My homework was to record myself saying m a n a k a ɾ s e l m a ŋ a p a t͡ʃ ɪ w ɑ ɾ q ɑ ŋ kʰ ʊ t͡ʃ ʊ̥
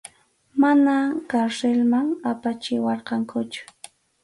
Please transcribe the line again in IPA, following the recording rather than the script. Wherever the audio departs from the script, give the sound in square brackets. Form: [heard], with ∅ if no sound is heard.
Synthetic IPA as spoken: m a n a k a ɾ s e l m a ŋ a p a t͡ʃ ɪ w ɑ ɾ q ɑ ŋ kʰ ʊ t͡ʃ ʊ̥